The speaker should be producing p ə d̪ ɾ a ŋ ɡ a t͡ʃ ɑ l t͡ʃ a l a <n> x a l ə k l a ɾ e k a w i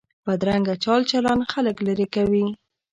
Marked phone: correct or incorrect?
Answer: correct